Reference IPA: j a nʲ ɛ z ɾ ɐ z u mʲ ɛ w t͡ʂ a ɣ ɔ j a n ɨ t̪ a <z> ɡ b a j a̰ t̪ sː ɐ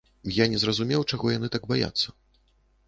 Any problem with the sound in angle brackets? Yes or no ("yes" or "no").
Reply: yes